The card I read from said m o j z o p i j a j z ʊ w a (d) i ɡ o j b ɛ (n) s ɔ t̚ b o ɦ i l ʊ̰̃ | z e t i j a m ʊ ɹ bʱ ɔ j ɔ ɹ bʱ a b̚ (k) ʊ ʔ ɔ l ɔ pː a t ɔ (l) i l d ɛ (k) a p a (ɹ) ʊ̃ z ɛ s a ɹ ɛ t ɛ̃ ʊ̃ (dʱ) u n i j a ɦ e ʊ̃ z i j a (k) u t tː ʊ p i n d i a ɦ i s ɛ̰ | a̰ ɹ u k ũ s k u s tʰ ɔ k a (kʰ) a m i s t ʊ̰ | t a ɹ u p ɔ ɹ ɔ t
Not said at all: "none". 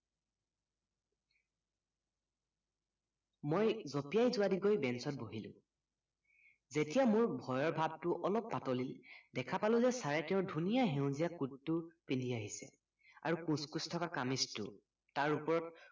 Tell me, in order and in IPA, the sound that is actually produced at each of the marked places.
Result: d, n, t, l, kʰ, l, dʱ, k, k

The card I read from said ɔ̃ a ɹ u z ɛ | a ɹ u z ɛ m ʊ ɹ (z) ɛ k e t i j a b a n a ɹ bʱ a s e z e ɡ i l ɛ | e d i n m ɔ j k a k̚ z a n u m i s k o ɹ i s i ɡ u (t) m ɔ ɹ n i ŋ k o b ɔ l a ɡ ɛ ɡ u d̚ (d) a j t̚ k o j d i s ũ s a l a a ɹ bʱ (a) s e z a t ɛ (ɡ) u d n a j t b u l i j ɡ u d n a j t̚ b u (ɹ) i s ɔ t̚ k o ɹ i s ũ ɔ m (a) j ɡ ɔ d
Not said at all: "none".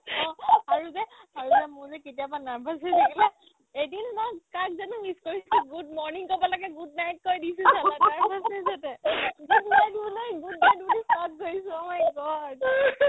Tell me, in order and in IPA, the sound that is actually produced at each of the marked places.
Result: z, d, n, a, ɡ, l, a

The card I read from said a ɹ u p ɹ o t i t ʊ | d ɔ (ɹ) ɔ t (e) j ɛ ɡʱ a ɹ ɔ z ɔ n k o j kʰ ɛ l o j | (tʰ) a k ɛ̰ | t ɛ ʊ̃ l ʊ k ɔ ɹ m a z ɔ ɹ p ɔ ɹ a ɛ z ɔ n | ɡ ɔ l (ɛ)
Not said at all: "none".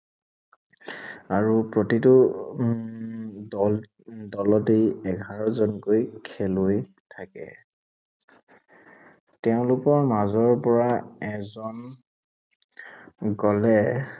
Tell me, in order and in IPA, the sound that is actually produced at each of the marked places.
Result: l, e, tʰ, ɛ

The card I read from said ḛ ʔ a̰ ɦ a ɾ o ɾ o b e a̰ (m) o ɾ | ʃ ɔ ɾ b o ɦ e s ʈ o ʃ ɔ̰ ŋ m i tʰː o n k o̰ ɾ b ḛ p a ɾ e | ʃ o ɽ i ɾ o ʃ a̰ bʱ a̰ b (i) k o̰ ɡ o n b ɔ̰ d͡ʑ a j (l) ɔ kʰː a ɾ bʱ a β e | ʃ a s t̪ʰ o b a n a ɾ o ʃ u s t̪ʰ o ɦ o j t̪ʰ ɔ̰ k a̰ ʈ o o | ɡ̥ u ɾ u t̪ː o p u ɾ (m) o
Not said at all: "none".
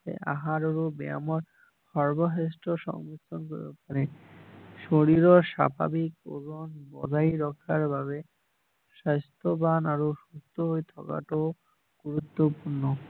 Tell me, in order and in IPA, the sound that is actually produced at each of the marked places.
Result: m, i, ɾ, n

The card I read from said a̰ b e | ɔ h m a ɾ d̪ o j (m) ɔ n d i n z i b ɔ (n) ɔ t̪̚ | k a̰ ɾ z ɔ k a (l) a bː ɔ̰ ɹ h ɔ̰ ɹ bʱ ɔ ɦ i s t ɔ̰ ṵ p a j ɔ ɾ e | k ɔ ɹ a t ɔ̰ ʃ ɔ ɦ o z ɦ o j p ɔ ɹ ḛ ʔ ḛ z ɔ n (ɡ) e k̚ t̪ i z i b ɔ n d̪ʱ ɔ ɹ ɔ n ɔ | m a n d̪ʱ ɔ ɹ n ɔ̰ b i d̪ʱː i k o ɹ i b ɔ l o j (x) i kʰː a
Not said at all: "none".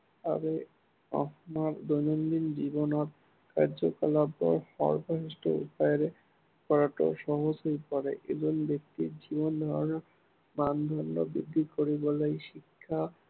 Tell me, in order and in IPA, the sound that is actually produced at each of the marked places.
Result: n, n, l, b, ʃ

